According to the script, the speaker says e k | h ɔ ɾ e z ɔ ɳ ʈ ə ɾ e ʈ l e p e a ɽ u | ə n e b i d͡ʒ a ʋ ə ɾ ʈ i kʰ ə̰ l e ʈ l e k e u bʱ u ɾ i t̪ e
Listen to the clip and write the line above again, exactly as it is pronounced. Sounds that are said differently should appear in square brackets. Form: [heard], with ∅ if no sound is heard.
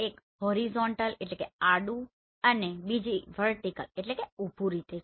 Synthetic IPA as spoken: e k | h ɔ ɾ [i] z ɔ ɳ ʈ ə [l] e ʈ l e [k] e a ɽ u | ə n e b i d͡ʒ [i] ʋ ə ɾ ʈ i [k] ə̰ l e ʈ l e k e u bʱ u ɾ i t̪ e

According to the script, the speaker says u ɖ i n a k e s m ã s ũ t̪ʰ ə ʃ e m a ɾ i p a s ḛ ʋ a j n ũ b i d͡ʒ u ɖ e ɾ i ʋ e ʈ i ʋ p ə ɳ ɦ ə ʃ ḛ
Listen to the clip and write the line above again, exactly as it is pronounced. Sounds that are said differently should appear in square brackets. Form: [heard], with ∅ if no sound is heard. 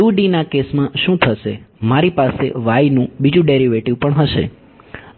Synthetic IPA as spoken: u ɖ i n a k e s m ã [ʃ] ũ t̪ʰ ə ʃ e m a ɾ i p a s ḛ ʋ a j n ũ b i d͡ʒ [ũ] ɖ e ɾ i ʋ e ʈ i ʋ p ə ɳ ɦ ə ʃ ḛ

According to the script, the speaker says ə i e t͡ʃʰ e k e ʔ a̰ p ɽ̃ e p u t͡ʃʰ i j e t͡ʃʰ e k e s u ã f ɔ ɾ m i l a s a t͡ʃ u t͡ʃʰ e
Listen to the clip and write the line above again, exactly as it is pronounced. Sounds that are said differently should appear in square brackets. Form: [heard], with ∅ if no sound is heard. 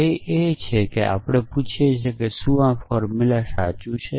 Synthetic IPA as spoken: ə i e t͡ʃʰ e k e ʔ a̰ p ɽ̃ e p u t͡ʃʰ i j e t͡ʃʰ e k e s u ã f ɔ ɾ m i l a s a t͡ʃ u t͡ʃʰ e

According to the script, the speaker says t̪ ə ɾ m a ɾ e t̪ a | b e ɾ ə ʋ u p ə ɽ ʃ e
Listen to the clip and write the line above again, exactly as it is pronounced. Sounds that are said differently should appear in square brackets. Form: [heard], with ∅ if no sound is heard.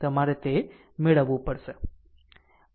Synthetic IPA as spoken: t̪ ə [∅] m a ɾ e t̪ [e] | [m] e [ɭ] ə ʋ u p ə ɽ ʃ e

